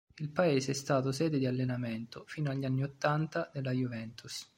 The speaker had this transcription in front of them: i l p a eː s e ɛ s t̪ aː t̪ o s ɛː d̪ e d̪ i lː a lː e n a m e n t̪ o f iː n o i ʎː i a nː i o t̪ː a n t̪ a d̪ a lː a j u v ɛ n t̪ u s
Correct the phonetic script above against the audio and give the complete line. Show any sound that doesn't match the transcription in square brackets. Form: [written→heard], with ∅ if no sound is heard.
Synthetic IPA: i l p a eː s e ɛ s t̪ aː t̪ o s ɛː d̪ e d̪ i [lː→∅] a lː e n a m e n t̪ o f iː n o [i→a] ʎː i a nː i o t̪ː a n t̪ a d̪ [a→e] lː a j u v ɛ n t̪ u s